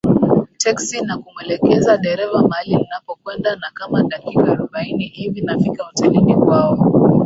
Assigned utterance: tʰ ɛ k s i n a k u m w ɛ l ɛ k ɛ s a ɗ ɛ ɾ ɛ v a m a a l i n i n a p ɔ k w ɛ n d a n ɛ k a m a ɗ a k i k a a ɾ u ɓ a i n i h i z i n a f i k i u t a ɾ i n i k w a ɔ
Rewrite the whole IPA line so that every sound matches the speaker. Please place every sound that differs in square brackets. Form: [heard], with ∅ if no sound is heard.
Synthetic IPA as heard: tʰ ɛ k s i n a k u m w ɛ l ɛ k ɛ [z] a ɗ ɛ ɾ ɛ v a m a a l i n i n a p ɔ k w ɛ n d a n [a] k a m a ɗ a k i k a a ɾ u ɓ a i n i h i [v] i n a f i k [a] u t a [l] i n i k w a ɔ